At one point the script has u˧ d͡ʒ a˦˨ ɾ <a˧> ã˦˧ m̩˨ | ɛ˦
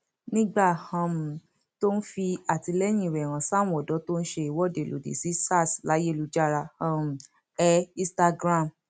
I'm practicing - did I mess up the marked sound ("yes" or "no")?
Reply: no